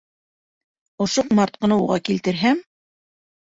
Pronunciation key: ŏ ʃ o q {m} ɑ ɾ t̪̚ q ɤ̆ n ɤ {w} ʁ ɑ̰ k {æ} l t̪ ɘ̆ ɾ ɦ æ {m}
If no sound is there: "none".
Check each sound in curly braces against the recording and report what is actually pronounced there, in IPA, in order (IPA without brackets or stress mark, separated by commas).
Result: m, u, i, m